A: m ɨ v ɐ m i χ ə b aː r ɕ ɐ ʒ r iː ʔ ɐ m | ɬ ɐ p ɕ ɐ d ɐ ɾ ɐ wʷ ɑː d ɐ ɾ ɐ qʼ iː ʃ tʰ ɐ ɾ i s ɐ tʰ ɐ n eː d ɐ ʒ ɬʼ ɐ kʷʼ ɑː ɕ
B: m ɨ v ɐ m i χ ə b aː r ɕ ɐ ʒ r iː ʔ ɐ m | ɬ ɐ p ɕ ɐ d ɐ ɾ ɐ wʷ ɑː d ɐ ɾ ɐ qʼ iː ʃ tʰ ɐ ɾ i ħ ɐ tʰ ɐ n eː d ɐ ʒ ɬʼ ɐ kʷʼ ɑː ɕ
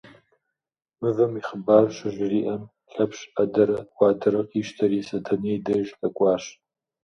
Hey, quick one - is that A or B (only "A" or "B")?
A